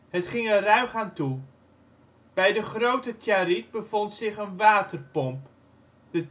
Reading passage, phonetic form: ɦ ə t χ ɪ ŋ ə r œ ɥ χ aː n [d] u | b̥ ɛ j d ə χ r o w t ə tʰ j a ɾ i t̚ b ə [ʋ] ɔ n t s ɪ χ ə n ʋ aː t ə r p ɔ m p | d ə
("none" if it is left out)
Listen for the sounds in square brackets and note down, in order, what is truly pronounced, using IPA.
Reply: t, v

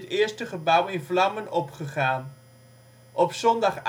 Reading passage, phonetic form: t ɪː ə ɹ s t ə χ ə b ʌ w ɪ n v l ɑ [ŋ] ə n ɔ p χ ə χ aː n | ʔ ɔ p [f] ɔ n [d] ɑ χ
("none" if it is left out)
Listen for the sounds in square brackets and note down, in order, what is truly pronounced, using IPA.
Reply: m, s, d

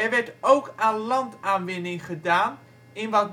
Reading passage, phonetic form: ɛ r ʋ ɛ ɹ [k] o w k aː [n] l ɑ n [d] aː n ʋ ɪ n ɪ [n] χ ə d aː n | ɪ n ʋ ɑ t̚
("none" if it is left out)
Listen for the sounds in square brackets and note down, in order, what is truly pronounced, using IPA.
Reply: t, n, t, ŋ

